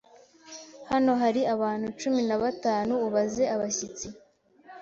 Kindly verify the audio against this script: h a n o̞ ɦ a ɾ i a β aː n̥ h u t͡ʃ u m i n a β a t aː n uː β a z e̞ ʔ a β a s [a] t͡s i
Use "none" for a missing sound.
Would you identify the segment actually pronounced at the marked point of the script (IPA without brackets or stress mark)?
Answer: i